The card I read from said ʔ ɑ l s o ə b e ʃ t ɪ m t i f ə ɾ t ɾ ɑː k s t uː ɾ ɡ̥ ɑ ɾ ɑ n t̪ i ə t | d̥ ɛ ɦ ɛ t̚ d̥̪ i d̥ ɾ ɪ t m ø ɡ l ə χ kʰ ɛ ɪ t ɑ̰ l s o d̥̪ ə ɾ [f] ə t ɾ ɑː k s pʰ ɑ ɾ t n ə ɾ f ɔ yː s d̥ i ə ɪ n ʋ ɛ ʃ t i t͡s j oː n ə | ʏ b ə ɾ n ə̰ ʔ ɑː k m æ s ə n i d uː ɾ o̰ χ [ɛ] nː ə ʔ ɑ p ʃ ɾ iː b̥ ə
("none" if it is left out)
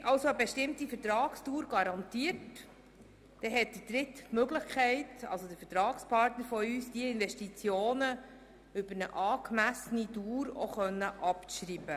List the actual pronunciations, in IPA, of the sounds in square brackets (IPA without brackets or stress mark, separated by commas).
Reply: f, œ